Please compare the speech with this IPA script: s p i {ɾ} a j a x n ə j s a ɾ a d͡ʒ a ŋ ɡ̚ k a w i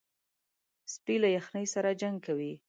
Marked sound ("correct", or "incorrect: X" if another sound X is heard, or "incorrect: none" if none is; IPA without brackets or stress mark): incorrect: l